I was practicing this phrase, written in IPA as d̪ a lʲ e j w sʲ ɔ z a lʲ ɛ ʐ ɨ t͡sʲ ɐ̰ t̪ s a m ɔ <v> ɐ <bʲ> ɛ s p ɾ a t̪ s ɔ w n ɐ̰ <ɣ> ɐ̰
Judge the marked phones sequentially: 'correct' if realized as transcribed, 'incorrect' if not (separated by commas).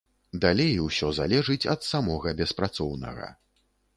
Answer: incorrect, correct, correct